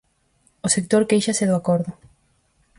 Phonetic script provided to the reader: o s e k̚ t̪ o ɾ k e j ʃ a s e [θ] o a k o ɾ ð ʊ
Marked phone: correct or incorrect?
incorrect: ð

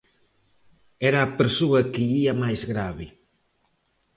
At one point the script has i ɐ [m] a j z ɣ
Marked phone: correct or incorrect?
correct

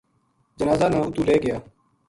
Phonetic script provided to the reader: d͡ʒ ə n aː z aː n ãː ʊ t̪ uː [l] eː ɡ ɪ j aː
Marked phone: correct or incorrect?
correct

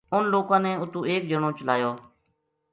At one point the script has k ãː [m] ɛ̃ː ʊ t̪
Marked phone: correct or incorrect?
incorrect: n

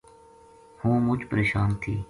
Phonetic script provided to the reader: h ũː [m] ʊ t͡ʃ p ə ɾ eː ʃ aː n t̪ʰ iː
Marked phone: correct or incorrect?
correct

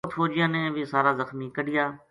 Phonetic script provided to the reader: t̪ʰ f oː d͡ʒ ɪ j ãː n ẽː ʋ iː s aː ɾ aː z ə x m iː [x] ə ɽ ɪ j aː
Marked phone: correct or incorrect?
incorrect: k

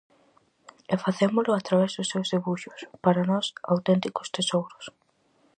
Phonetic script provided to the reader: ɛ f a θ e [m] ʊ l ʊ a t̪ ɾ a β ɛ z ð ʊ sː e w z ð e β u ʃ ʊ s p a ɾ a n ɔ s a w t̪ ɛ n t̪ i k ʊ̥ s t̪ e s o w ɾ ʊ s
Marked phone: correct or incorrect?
correct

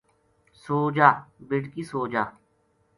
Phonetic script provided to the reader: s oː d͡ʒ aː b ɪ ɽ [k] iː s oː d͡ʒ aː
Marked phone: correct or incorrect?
correct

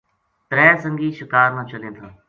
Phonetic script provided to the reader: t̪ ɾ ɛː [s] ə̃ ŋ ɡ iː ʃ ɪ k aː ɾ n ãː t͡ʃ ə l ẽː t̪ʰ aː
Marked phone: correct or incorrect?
correct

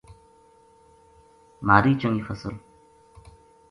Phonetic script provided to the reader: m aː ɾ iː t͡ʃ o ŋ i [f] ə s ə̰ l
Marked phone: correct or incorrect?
correct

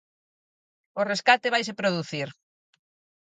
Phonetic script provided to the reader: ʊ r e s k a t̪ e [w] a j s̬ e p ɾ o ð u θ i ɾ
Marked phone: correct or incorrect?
incorrect: β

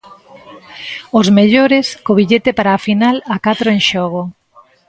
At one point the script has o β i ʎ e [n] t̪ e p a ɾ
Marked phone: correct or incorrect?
incorrect: none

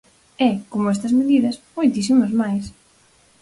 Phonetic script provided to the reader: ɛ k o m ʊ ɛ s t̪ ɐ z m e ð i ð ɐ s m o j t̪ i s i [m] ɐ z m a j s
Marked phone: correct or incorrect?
correct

